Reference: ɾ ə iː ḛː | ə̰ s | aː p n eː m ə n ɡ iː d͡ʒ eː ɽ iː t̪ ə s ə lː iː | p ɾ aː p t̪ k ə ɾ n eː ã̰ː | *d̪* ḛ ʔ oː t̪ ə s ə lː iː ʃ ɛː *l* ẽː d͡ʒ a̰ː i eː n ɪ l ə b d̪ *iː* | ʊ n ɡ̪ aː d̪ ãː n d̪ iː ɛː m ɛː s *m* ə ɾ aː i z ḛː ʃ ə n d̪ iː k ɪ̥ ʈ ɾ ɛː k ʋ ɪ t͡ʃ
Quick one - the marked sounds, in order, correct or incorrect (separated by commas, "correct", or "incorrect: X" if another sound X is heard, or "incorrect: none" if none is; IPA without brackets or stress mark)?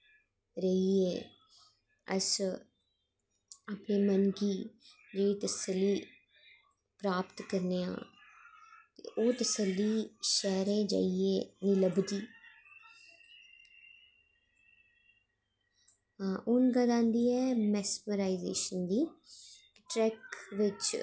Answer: incorrect: t̪, incorrect: ɾ, correct, correct